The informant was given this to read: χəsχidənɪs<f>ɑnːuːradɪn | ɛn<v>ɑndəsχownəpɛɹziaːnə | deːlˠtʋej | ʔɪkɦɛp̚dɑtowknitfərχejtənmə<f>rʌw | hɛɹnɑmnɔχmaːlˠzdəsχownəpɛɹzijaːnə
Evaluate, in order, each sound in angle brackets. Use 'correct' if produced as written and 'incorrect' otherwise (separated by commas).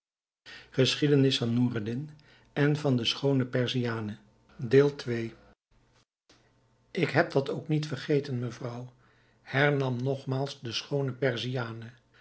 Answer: correct, correct, incorrect